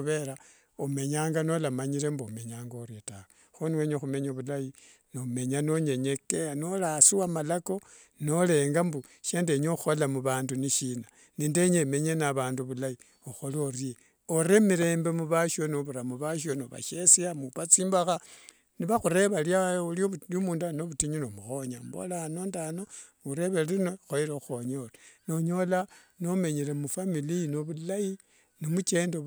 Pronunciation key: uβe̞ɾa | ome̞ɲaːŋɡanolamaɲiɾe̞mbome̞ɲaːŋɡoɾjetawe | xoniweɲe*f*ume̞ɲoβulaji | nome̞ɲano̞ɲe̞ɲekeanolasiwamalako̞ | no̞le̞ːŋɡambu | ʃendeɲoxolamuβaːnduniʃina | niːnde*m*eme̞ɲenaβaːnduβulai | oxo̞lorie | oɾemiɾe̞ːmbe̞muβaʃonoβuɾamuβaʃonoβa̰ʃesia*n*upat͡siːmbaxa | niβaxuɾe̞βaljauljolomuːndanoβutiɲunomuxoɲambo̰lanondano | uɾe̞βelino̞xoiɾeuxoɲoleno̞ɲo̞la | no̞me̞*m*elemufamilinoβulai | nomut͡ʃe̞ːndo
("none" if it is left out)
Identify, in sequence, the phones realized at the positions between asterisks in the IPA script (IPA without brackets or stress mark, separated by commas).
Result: x, ɲ, m, ɲ